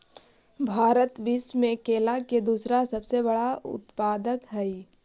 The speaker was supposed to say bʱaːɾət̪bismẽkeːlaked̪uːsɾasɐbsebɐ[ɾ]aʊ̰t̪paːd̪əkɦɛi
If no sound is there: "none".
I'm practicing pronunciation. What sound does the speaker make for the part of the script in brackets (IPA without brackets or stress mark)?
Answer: ɽ